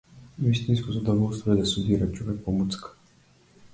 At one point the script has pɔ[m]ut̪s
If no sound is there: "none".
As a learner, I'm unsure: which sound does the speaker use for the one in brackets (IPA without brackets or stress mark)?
m